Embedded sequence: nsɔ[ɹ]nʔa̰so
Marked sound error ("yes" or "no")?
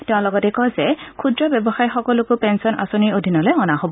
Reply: yes